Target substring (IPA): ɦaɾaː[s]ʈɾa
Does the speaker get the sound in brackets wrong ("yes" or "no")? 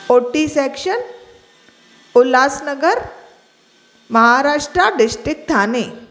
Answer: yes